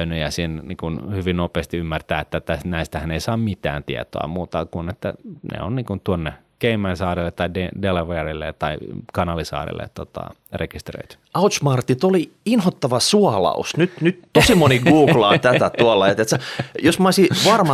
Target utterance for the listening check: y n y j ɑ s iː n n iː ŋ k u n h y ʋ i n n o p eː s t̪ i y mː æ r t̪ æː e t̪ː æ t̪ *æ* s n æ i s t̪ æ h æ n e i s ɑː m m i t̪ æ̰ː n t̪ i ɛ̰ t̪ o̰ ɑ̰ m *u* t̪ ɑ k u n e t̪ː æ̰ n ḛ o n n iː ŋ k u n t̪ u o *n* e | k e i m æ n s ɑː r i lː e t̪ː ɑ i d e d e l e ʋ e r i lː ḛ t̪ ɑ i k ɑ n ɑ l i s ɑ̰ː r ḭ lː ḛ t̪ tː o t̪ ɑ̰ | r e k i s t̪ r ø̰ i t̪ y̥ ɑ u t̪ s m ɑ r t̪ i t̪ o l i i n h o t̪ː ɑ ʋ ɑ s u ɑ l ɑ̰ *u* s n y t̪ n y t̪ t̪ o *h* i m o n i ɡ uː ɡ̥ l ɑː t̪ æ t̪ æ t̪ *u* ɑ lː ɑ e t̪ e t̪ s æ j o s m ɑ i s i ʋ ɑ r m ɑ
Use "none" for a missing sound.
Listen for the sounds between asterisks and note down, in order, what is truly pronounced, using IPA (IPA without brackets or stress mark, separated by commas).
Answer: æ, uː, nː, u, s, u